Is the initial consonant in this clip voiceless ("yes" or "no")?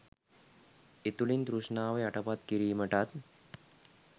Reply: yes